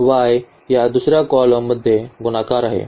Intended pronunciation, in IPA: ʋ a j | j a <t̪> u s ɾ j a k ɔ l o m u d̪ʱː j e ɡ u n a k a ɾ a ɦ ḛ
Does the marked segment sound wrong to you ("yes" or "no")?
yes